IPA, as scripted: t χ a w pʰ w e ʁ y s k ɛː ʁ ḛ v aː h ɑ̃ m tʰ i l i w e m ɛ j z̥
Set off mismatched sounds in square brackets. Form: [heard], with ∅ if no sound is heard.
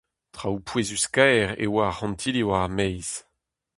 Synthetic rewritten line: t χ a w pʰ w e [z] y s k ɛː ʁ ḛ [w] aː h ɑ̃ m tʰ i l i w [a] m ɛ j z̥